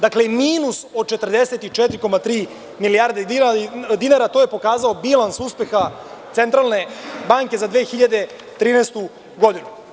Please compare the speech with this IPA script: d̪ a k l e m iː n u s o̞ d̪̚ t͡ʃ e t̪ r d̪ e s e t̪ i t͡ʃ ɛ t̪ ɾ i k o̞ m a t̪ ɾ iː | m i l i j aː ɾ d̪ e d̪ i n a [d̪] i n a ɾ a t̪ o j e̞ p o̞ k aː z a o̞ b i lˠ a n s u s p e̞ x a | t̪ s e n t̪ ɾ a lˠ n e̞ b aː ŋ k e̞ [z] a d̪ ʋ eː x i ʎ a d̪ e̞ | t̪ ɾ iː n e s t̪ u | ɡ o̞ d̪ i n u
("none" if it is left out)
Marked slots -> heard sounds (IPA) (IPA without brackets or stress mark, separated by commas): d̪, z